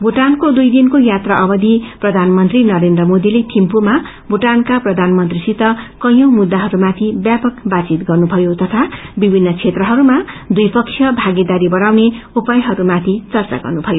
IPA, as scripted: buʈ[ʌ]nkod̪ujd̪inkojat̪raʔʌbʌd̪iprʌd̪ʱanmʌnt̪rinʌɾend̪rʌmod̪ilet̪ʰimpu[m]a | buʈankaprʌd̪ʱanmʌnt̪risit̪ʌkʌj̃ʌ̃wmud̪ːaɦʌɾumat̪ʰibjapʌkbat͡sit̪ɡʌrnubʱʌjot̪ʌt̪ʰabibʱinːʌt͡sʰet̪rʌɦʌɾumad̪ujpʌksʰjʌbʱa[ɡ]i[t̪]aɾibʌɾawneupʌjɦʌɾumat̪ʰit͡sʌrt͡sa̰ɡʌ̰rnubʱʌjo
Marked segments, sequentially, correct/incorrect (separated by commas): incorrect, correct, correct, incorrect